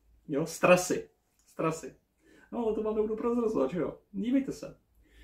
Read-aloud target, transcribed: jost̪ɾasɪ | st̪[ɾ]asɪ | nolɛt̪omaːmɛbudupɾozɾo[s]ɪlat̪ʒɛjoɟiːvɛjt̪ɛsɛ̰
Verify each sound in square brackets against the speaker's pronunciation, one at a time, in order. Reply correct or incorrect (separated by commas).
correct, incorrect